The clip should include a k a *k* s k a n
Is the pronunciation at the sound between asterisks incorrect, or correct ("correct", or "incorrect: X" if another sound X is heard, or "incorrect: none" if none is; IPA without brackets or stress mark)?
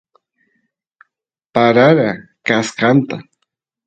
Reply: incorrect: none